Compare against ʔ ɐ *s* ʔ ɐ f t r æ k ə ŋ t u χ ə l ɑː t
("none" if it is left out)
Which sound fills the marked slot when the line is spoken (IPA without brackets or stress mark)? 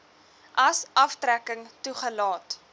s